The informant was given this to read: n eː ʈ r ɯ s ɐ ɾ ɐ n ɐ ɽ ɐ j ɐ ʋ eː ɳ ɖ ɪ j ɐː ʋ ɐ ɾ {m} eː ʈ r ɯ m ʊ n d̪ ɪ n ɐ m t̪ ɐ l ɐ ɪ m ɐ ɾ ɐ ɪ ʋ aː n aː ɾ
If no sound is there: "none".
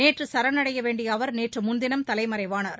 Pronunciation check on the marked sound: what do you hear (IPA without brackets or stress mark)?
n